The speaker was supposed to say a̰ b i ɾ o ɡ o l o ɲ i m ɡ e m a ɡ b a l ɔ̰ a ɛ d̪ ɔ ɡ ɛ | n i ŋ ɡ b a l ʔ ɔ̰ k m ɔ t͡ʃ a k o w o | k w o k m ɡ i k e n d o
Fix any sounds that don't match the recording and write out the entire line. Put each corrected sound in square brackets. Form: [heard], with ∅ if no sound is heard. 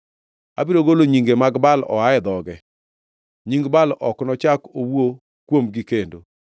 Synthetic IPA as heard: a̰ b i ɾ o ɡ o l o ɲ i [ŋ] ɡ e m a ɡ b a l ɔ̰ a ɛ d̪ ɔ ɡ ɛ | [ɲ] i ŋ ɡ b a l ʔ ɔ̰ k [n] ɔ t͡ʃ a k o w o | k w o [∅] m ɡ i k e n d o

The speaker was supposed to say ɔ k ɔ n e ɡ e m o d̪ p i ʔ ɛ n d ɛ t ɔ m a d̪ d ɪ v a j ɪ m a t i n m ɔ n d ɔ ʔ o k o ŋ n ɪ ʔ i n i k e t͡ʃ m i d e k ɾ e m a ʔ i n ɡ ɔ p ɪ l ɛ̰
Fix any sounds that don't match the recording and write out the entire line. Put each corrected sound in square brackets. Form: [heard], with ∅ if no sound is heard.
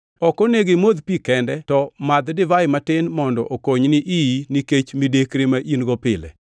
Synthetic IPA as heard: ɔ k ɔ n e ɡ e m o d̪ p i [k] ɛ n d ɛ t ɔ m a d̪ d ɪ v a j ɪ m a t [ɪ] n m ɔ n d ɔ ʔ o k o [ɲ] n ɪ ʔ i n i k e t͡ʃ m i d e k ɾ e m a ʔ i n ɡ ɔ p ɪ l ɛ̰

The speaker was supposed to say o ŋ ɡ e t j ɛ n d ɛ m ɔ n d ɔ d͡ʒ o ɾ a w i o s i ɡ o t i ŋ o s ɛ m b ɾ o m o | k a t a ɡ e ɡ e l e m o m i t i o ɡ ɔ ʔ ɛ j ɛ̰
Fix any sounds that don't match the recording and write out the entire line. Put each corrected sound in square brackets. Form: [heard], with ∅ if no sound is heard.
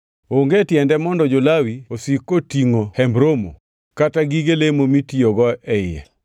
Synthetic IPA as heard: o ŋ ɡ e t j ɛ n d ɛ m ɔ n d ɔ d͡ʒ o [l] a w i o s i [k] o t i ŋ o [h] ɛ m b ɾ o m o | k a t a ɡ [i] ɡ e l e m o m i t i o ɡ ɔ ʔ ɛ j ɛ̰

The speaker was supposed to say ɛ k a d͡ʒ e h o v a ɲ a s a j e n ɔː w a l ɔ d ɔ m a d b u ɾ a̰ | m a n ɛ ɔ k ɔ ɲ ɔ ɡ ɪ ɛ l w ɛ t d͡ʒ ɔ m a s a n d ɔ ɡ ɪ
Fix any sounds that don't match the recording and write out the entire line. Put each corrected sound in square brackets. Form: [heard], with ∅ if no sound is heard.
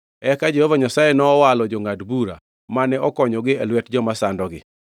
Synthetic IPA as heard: ɛ k a d͡ʒ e h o v a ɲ a s a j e n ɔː w a l ɔ [d͡ʒ] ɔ [ŋ] a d b u ɾ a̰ | m a n ɛ ɔ k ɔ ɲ ɔ ɡ ɪ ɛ l w ɛ t d͡ʒ ɔ m a s a n d ɔ ɡ ɪ

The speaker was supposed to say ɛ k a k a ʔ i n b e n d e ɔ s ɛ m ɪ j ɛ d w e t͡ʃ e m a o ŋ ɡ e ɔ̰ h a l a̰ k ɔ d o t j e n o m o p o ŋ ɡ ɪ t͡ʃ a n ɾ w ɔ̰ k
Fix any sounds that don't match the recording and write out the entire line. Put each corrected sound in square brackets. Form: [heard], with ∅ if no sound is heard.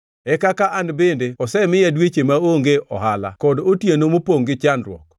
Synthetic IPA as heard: ɛ k a k a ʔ [a] n b e n d e ɔ s ɛ m ɪ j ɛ d w e t͡ʃ e m a o ŋ ɡ e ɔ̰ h a l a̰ k ɔ d o t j e n o m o p o ŋ ɡ ɪ t͡ʃ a n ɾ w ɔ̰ k

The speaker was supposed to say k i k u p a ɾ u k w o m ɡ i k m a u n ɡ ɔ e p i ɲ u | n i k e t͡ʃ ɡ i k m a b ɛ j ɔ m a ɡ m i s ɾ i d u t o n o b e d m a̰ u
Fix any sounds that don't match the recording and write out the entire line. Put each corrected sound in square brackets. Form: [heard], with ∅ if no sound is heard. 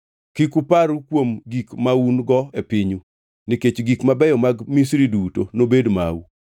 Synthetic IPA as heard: k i k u p a ɾ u k w o m ɡ i k m a u n ɡ ɔ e p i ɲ u | n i k e t͡ʃ ɡ i k m a b ɛ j ɔ m a ɡ m i s ɾ i d u t o n o b e d m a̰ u

